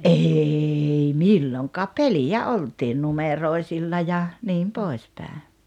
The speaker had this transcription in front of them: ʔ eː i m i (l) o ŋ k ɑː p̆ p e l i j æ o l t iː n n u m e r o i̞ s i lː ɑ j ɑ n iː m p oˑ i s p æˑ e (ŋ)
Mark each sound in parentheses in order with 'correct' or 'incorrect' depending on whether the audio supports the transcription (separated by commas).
incorrect, incorrect